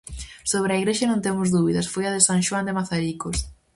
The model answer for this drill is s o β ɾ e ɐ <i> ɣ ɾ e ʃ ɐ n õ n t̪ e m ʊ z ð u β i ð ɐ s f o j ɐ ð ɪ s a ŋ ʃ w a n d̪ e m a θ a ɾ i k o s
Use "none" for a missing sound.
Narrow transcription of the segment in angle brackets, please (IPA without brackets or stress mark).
i